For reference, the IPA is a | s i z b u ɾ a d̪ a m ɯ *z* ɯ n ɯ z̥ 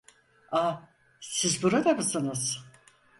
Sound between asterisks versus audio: incorrect: s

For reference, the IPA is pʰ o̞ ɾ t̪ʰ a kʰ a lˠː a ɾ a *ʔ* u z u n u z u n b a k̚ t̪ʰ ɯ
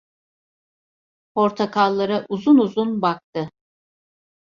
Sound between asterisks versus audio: correct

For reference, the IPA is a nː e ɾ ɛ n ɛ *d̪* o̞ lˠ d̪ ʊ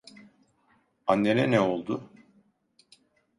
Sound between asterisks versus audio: incorrect: none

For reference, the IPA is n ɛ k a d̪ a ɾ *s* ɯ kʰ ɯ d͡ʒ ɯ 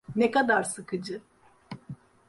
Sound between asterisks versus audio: correct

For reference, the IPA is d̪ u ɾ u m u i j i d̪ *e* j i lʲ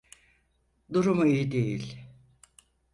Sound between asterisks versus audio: correct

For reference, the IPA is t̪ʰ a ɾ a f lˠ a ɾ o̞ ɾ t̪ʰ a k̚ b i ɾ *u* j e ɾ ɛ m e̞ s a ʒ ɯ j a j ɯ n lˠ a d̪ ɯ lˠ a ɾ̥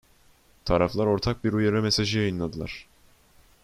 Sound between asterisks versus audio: correct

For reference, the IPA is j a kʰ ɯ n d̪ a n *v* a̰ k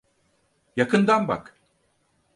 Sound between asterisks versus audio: incorrect: b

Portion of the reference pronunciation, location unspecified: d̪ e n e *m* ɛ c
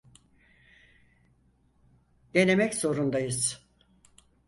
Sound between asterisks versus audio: correct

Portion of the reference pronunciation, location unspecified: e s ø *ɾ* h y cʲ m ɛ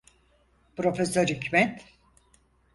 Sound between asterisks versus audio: correct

